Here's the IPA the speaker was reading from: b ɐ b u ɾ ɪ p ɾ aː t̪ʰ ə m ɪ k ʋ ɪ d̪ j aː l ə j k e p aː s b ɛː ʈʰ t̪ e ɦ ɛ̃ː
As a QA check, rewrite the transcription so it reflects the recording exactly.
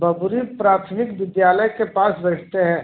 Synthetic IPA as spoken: b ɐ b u ɾ i p ɾ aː t̪ʰ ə m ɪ k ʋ ɪ d̪ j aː l ə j k e p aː s b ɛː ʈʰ t̪ e ɦ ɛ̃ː